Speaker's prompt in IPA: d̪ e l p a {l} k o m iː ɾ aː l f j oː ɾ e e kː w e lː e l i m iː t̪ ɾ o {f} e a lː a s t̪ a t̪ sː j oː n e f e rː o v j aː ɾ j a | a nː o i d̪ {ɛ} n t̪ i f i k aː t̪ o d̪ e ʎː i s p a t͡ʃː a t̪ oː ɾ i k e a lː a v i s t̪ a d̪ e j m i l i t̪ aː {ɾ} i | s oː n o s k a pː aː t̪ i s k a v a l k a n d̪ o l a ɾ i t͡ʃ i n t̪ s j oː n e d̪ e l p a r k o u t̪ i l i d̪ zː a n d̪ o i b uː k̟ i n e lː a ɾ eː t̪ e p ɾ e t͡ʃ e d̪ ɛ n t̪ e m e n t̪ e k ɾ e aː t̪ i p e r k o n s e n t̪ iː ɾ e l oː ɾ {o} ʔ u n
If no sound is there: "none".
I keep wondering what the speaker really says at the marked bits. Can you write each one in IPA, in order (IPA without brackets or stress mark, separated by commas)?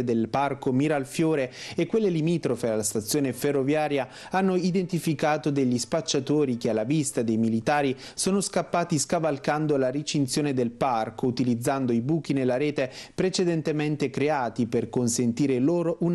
r, f, e, ɾ, o